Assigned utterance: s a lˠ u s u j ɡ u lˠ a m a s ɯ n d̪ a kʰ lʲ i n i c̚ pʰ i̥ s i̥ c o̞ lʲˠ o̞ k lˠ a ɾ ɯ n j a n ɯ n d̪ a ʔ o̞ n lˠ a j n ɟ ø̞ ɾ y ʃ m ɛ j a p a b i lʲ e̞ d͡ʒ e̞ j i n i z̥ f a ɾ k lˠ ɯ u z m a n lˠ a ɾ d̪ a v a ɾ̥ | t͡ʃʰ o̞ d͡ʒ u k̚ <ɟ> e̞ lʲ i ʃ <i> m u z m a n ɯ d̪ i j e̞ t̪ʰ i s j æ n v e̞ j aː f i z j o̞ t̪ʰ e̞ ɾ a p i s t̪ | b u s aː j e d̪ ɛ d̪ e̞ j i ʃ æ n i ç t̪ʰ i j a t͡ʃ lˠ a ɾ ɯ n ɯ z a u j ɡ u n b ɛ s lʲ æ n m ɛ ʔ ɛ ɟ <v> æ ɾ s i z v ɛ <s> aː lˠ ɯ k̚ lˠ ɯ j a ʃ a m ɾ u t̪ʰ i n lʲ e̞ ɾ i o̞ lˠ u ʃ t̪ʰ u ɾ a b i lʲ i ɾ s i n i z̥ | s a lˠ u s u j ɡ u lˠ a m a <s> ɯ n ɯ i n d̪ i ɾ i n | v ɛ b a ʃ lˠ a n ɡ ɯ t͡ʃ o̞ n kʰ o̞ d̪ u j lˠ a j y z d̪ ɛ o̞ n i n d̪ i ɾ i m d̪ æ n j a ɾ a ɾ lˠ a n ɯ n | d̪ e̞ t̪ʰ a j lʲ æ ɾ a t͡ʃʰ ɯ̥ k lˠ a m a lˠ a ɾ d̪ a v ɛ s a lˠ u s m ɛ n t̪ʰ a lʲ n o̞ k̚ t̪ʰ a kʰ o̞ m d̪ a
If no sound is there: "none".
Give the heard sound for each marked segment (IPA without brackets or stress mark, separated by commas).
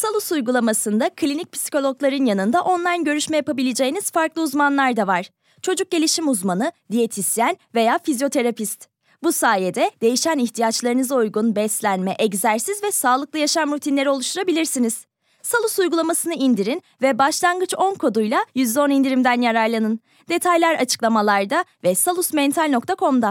ɟ, i, z, s, s